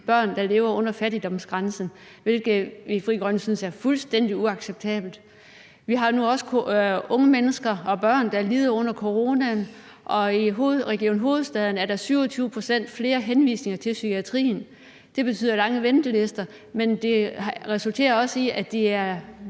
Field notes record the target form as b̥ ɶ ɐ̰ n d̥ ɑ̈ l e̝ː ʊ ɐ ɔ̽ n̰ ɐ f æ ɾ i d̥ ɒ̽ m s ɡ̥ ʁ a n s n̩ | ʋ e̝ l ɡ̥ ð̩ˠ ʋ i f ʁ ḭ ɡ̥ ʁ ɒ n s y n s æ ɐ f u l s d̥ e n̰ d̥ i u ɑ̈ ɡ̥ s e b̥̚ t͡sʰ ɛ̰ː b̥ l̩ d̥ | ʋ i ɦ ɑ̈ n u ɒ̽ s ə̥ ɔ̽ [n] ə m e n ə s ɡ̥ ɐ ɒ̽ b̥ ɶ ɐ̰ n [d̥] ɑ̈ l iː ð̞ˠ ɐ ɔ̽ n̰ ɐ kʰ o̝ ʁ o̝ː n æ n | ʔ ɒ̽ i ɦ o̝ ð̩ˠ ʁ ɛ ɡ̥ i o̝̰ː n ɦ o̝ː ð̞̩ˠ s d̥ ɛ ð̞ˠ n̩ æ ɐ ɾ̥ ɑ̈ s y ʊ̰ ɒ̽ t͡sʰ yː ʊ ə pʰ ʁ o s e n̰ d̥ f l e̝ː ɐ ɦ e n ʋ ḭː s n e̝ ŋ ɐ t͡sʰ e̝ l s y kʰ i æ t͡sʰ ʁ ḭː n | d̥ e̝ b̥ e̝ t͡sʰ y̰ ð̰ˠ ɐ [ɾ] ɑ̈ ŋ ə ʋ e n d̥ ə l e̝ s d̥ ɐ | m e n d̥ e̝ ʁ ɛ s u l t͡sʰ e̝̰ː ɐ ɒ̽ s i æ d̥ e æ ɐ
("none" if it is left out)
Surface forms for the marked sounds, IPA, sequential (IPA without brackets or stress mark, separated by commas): ŋ, d̥, l